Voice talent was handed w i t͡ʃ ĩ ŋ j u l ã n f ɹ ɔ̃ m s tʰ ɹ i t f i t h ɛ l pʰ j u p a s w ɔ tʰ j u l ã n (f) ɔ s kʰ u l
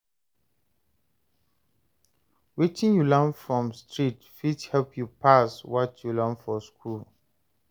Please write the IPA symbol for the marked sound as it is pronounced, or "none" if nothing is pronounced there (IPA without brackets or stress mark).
f